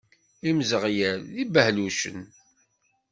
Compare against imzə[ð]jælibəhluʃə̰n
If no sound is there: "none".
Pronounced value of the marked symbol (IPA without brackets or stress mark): ʁ